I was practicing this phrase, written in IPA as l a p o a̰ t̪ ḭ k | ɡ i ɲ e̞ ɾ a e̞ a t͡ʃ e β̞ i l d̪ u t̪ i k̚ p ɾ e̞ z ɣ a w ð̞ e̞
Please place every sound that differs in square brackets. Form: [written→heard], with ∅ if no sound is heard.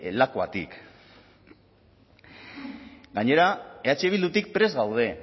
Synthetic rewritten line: l a [p→k] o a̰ t̪ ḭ k | ɡ [i→a] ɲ e̞ ɾ a e̞ a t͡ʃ e β̞ i l d̪ u t̪ i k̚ p ɾ e̞ z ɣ a w ð̞ e̞